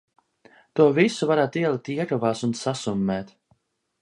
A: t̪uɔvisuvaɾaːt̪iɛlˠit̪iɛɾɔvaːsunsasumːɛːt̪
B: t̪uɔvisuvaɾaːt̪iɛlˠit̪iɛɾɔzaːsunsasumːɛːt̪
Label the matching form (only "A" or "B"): A